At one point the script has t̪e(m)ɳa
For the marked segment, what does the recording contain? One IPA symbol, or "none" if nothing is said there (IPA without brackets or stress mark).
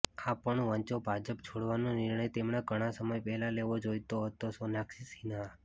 m